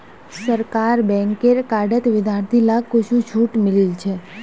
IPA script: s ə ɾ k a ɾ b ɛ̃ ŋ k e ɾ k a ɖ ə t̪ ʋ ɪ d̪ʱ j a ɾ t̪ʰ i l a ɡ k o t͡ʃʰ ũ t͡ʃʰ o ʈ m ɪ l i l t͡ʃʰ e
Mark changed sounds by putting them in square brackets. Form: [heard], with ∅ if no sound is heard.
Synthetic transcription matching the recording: s ə ɾ k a ɾ b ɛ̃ ŋ k e ɾ k a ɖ ə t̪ ʋ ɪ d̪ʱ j a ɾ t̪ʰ i l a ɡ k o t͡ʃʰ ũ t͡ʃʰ [u] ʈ m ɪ l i l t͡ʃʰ e